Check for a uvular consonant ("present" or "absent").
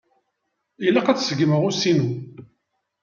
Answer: present